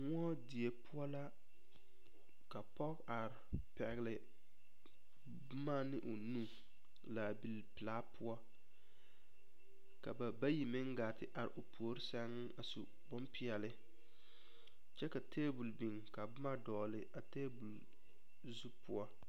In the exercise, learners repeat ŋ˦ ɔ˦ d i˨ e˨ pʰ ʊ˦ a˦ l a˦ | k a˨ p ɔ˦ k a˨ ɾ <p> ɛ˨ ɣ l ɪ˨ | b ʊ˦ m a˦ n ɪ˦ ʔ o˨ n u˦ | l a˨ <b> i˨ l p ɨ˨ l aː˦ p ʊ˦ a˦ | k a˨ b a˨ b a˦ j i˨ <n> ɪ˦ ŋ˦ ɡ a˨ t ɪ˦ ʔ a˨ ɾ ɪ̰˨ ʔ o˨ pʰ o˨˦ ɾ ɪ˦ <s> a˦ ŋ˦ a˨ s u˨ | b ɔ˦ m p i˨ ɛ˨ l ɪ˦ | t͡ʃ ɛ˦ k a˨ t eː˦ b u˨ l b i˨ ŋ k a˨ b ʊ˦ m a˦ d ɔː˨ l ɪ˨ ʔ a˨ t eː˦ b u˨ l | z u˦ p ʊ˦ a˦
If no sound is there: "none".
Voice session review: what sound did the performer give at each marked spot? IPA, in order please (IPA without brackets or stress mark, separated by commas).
p, b, m, s